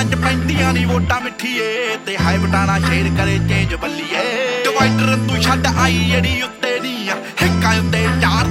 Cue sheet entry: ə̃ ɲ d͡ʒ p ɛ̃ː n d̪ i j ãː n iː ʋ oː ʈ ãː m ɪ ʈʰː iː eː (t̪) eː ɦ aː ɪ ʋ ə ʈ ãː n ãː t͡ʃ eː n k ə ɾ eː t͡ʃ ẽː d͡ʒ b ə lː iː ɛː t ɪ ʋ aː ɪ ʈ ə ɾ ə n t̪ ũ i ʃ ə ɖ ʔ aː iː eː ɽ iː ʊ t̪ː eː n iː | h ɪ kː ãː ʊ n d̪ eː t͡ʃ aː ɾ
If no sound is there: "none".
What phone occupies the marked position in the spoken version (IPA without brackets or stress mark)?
t̪